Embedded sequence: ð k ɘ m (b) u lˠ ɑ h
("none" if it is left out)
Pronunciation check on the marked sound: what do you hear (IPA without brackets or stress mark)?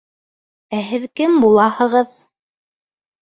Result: b